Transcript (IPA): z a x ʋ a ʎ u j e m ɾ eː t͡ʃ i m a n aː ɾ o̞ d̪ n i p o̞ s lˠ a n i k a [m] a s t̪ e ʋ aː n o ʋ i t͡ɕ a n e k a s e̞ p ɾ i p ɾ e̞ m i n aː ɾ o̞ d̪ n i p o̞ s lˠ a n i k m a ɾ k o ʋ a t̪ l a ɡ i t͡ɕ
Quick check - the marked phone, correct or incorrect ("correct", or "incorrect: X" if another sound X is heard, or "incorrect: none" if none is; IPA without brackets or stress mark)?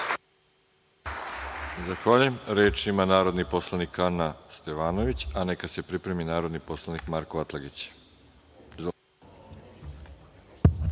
incorrect: n